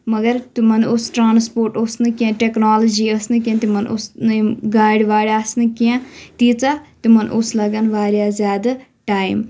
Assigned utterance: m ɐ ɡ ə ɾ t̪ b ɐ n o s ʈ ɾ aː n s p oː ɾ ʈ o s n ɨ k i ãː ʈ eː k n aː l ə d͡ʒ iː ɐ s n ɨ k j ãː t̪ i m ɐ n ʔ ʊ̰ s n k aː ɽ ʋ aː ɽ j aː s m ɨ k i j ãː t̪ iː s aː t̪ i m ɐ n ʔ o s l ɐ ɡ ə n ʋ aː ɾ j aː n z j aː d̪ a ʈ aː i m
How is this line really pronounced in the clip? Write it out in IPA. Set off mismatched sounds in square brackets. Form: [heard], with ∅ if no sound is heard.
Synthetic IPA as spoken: m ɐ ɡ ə ɾ t̪ [m] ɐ n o s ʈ ɾ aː n s p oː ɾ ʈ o s n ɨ k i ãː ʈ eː k n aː l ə d͡ʒ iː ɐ s n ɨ k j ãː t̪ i m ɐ n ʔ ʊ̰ s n [ɡ] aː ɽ ʋ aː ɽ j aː s [n] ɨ k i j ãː t̪ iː [t͡s] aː t̪ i m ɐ n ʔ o s l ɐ ɡ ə n ʋ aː ɾ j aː [∅] z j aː d̪ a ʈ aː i m

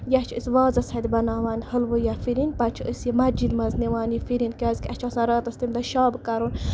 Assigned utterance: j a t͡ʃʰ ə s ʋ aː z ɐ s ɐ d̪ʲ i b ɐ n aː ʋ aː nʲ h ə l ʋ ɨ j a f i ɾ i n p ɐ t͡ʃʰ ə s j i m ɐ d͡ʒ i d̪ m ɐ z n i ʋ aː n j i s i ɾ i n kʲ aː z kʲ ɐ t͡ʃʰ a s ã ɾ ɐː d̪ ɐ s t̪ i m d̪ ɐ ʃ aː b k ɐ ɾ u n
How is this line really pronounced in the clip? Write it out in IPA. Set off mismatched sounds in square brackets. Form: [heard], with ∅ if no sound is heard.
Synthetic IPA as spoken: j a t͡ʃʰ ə s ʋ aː z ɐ s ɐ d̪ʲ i b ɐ n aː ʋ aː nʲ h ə l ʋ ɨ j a f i ɾ i n p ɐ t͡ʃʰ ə s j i m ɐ d͡ʒ i d̪ m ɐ z n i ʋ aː n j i [f] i ɾ i n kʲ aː z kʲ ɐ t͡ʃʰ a s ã ɾ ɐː [t̪] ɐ s t̪ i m d̪ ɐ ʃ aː b k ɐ ɾ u n

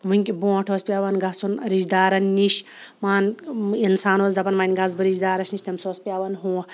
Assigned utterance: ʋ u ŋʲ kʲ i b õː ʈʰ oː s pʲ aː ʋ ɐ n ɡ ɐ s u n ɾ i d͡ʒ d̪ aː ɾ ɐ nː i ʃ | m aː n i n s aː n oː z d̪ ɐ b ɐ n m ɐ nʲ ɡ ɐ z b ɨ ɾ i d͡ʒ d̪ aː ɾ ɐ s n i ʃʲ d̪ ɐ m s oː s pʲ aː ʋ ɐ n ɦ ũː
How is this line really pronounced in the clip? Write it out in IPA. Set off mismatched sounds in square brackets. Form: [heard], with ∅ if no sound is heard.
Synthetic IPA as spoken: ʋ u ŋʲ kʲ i b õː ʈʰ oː s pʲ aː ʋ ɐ n ɡ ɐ s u n ɾ i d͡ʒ d̪ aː ɾ ɐ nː i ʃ | m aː n i n s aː n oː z d̪ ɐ [p] ɐ n m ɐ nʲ ɡ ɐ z b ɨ ɾ i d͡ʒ d̪ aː ɾ ɐ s n i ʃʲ [t̪] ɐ m s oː s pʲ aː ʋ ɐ n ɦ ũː

